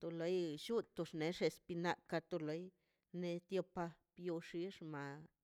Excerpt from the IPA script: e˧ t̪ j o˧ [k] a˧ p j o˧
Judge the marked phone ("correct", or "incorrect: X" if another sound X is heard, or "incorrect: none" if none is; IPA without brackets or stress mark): incorrect: p